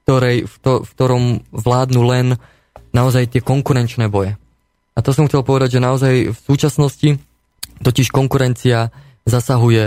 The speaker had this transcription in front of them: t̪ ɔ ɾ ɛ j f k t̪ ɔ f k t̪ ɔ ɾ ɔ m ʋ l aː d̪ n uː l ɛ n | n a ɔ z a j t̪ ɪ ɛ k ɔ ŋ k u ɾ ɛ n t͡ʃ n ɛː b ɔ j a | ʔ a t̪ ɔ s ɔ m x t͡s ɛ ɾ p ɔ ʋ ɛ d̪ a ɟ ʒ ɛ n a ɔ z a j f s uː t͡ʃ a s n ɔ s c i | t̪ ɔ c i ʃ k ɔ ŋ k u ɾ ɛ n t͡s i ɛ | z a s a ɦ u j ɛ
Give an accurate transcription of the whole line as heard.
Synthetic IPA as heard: t̪ ɔ ɾ ɛ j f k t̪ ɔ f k t̪ ɔ ɾ ɔ m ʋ l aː d̪ n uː l ɛ n | n a ɔ z a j t̪ ɪ ɛ k ɔ ŋ k u ɾ ɛ n t͡ʃ n ɛː b ɔ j ɛ | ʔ a t̪ ɔ s ɔ m x t͡s ɛ l p ɔ ʋ ɛ d̪ a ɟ ʒ ɛ n a ɔ z a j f s uː t͡ʃ a s n ɔ s c i | t̪ ɔ c i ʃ k ɔ ŋ k u ɾ ɛ n t͡s i a | z a s a ɦ u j ɛ